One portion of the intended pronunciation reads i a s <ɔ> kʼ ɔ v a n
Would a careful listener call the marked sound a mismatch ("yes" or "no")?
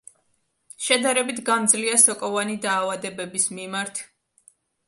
no